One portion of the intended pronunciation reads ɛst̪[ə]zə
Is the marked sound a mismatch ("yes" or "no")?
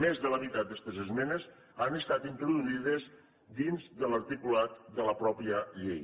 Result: no